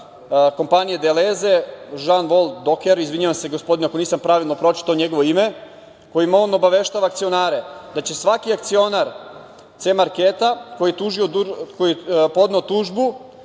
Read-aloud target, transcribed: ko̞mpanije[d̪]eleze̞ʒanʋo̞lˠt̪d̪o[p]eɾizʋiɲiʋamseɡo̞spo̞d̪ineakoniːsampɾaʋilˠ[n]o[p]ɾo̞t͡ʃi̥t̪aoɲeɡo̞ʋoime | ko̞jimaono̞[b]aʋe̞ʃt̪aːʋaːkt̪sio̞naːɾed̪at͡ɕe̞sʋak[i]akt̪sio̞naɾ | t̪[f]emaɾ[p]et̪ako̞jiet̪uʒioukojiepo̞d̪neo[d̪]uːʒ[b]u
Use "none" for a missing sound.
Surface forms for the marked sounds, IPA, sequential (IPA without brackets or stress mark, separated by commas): d̪, k, n, p, b, i, s, k, t̪, b